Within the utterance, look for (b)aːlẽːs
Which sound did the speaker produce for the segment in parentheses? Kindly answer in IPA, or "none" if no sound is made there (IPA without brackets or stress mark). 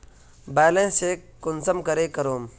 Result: b